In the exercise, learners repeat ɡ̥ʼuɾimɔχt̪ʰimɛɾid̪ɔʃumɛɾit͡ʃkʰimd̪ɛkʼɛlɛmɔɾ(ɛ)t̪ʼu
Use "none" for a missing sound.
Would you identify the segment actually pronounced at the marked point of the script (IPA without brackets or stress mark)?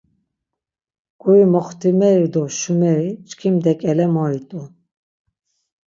i